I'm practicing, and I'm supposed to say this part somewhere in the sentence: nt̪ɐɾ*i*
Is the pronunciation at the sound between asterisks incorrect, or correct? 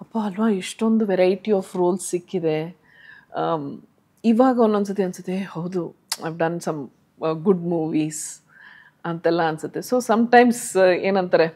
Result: incorrect